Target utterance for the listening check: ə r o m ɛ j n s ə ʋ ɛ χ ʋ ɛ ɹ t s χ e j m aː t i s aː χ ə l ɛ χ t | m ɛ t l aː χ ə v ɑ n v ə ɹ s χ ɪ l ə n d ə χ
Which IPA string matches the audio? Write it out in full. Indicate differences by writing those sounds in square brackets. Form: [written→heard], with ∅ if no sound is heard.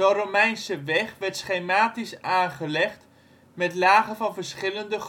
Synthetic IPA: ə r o m ɛ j n s ə ʋ ɛ χ ʋ ɛ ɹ t s χ e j m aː t i s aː χ ə l ɛ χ t | m ɛ t l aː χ ə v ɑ n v ə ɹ s χ ɪ l ə n d ə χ